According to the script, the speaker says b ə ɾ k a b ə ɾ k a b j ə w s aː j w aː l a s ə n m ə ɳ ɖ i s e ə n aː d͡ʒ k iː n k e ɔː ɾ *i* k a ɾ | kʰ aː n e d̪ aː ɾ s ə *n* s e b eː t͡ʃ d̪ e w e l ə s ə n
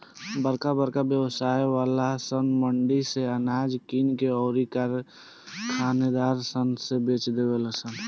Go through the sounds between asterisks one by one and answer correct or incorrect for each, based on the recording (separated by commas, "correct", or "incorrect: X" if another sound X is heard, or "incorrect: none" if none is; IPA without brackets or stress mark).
correct, correct